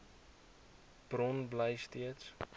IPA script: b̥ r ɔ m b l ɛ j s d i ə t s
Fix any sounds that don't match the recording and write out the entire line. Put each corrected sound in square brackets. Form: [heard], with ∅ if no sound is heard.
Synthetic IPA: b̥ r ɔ [n] b l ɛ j s [t] i ə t s